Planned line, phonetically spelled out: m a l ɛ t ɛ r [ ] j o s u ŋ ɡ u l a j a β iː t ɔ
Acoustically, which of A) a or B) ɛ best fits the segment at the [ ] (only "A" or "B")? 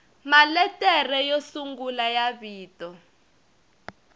B